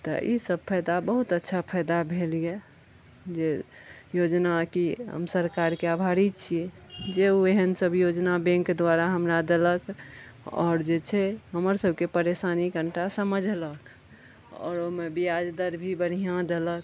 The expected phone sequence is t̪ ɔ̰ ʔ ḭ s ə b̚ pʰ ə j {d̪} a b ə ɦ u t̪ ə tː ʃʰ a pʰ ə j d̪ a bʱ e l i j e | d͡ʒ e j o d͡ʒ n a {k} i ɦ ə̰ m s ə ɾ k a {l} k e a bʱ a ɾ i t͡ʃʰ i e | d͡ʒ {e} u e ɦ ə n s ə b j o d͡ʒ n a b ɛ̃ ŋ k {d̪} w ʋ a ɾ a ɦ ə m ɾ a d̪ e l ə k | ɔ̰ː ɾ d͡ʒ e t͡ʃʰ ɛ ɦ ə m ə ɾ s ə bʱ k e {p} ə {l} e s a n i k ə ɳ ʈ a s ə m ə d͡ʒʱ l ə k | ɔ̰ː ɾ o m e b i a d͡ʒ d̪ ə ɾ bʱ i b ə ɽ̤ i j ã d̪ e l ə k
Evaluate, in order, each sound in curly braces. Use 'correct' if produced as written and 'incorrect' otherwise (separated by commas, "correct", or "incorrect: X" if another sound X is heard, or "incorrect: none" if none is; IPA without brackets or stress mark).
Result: correct, correct, incorrect: ɾ, correct, correct, correct, incorrect: ɾ